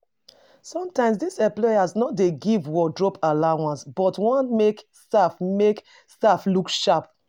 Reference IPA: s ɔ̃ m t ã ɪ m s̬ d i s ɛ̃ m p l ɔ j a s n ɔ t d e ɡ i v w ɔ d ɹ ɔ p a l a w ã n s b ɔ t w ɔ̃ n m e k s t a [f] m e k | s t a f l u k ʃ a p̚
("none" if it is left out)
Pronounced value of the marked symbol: f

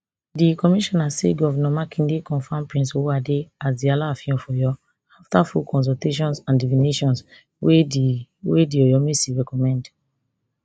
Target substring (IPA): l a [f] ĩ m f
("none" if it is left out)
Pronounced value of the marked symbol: f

